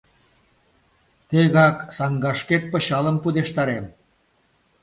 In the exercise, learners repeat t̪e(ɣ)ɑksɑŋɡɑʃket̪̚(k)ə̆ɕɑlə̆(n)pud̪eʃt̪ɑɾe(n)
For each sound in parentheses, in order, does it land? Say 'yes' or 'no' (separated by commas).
yes, no, no, no